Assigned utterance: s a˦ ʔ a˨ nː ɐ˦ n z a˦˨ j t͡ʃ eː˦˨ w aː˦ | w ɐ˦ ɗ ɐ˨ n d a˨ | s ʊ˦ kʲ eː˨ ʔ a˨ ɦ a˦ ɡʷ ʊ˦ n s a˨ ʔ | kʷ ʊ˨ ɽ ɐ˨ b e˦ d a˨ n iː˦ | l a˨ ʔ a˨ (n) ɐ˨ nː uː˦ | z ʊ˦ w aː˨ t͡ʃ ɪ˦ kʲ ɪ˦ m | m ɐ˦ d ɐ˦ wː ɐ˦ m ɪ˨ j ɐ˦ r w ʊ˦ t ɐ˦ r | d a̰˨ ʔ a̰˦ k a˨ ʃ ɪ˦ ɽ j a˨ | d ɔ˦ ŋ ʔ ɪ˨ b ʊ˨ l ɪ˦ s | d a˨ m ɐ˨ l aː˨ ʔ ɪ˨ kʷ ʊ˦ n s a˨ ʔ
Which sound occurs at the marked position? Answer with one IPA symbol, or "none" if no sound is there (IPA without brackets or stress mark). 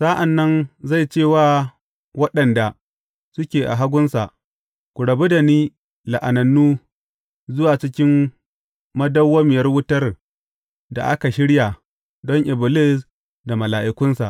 n